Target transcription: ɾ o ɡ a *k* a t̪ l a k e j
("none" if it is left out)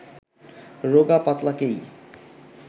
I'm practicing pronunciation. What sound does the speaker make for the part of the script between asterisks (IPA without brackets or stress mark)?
p